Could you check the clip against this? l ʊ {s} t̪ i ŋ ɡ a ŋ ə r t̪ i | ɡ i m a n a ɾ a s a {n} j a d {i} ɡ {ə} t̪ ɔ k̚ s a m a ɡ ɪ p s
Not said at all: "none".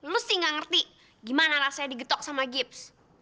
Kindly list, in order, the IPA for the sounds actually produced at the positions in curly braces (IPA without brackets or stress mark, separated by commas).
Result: s, none, i, ə